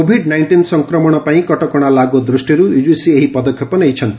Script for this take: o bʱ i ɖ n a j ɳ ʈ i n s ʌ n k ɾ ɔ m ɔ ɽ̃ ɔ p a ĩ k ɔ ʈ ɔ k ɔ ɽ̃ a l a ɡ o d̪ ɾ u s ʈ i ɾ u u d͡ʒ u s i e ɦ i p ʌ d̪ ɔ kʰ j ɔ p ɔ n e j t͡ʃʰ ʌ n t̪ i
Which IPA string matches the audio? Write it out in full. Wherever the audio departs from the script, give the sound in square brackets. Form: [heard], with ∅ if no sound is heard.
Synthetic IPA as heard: o bʱ i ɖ n a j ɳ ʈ i n s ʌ [ŋ] k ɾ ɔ m ɔ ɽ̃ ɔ p a ĩ k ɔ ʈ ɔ k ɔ ɽ̃ a l a ɡ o d̪ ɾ u s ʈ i ɾ u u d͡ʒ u s i e ɦ i p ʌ d̪ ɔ kʰ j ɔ p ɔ n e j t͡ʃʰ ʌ n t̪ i